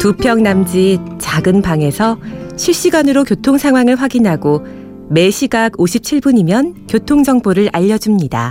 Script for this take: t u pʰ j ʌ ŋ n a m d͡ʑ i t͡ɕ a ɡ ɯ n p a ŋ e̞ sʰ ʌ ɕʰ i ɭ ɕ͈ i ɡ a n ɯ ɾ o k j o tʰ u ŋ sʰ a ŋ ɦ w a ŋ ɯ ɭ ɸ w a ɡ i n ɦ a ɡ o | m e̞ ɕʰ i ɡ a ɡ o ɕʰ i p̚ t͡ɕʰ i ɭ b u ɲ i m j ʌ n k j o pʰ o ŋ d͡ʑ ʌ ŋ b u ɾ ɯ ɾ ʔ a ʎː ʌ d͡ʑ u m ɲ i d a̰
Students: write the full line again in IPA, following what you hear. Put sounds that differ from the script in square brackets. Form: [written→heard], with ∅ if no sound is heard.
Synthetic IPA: t u pʰ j ʌ ŋ n a m d͡ʑ i t͡ɕ a ɡ ɯ n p a ŋ e̞ sʰ ʌ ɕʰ i ɭ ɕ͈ i ɡ a n ɯ ɾ o k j o tʰ [u→o] ŋ sʰ a ŋ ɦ w a ŋ ɯ ɭ ɸ w a ɡ i n ɦ a ɡ o | m e̞ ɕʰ i ɡ a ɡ o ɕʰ i p̚ t͡ɕʰ i ɭ b u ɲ i m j ʌ n k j o [pʰ→tʰ] o ŋ d͡ʑ ʌ ŋ b [u→o] ɾ ɯ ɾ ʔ a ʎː ʌ d͡ʑ u m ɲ i d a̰